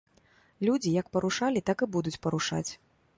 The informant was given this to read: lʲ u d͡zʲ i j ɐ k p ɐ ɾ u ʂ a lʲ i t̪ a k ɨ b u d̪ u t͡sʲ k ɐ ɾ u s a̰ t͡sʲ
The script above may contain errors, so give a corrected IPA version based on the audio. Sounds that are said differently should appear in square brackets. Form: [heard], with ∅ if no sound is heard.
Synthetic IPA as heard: lʲ u d͡zʲ i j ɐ k p ɐ ɾ u ʂ a lʲ i t̪ a k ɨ b u d̪ u t͡sʲ [p] ɐ ɾ u [ʂ] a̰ t͡sʲ